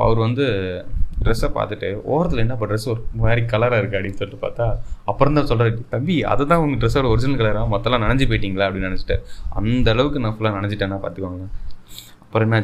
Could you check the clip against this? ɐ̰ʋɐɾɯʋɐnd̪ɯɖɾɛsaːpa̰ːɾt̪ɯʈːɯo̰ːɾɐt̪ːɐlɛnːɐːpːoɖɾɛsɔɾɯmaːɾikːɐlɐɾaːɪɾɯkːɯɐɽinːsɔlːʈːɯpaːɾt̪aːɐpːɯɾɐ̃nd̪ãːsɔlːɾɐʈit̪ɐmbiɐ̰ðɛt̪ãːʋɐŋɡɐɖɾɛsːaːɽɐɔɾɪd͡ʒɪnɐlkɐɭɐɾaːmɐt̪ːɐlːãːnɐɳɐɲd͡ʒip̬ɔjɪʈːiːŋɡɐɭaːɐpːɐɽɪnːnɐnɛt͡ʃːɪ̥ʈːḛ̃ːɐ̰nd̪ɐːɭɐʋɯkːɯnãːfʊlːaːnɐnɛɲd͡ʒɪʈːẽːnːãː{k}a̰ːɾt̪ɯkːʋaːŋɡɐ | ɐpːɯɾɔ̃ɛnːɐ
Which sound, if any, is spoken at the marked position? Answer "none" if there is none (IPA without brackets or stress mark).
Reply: p